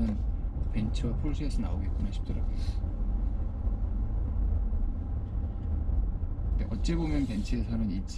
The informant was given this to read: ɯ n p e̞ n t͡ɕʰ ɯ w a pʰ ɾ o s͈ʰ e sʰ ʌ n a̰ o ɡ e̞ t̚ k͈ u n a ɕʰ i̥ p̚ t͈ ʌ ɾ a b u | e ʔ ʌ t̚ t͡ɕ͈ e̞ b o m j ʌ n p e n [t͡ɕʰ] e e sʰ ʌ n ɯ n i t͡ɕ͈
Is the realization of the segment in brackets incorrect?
no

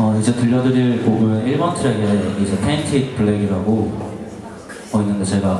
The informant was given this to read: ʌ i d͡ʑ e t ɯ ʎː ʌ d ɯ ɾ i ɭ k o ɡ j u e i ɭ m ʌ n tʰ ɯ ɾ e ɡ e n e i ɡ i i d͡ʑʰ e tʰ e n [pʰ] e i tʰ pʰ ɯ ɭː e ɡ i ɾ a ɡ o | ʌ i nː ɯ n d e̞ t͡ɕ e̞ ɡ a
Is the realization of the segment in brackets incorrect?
yes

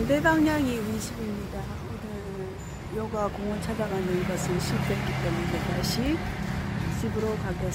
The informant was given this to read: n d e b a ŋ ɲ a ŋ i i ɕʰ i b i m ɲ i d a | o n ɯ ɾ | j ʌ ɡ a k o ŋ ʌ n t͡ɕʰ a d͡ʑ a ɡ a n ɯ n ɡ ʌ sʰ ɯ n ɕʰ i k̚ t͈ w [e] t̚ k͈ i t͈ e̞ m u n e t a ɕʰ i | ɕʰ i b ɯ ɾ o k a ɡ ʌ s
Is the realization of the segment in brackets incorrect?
no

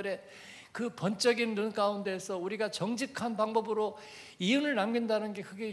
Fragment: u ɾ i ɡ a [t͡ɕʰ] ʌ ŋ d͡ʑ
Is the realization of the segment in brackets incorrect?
yes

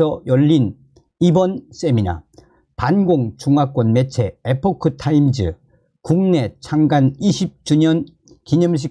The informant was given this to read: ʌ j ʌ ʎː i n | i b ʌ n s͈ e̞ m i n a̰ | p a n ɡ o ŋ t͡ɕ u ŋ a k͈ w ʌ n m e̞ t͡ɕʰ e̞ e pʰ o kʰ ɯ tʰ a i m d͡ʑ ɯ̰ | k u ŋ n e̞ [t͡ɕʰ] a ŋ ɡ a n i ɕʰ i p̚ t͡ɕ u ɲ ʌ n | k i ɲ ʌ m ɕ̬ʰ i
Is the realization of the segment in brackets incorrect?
no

